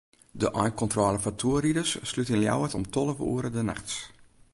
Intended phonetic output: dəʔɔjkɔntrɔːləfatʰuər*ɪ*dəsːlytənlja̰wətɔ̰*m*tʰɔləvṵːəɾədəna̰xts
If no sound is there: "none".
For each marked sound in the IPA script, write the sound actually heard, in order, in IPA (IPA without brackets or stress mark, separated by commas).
i, m